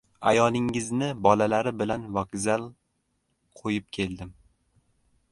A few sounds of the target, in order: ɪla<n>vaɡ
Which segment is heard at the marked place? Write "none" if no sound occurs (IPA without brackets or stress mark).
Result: n